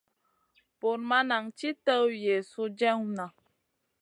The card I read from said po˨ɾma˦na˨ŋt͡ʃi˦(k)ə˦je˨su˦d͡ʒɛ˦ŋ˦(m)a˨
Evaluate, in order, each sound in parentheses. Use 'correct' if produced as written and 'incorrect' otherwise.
incorrect: t, incorrect: n

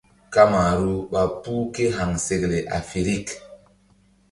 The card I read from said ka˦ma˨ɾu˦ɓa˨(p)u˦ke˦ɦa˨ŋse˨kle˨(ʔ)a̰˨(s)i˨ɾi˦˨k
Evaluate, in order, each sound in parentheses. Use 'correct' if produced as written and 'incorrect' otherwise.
correct, correct, incorrect: f

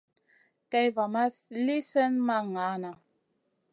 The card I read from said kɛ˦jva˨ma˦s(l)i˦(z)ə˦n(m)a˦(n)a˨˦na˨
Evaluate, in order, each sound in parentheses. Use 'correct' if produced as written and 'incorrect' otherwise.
correct, incorrect: s, correct, incorrect: ŋ

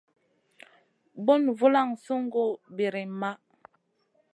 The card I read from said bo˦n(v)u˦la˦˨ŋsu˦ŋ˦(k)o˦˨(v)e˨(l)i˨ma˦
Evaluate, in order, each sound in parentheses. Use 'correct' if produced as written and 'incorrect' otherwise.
correct, incorrect: ɡ, incorrect: b, incorrect: ɾ

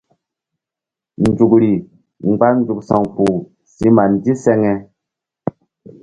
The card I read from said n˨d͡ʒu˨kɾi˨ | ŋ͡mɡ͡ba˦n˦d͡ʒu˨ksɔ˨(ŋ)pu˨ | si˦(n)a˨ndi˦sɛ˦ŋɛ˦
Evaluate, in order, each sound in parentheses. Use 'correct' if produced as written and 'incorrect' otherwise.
correct, incorrect: m

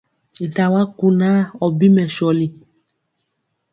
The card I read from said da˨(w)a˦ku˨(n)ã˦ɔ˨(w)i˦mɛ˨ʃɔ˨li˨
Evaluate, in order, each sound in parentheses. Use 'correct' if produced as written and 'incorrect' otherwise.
correct, correct, incorrect: b

